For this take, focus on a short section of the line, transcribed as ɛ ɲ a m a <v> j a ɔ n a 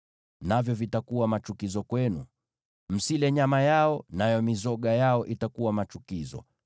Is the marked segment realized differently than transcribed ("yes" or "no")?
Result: yes